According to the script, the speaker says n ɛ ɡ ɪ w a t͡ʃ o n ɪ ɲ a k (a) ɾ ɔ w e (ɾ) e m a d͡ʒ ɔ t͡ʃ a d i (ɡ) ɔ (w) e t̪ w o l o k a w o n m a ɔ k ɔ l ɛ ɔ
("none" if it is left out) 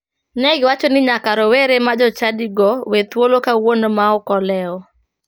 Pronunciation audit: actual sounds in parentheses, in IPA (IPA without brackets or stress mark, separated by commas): a, ɾ, ɡ, w